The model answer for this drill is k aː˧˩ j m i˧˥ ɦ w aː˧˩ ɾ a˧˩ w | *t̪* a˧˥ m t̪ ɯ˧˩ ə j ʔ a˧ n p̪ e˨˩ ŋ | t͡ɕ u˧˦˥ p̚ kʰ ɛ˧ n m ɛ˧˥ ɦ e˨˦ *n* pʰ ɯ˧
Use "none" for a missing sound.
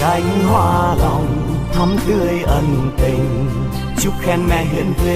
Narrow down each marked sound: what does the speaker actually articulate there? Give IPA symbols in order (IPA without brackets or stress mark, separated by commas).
t̪ʰ, n